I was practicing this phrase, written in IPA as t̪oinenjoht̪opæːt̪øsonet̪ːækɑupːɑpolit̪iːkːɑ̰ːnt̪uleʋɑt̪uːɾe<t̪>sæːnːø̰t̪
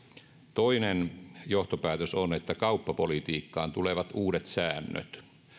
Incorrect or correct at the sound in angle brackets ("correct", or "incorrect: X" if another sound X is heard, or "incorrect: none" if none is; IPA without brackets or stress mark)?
correct